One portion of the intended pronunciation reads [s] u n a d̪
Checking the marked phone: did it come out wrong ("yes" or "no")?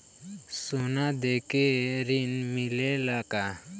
no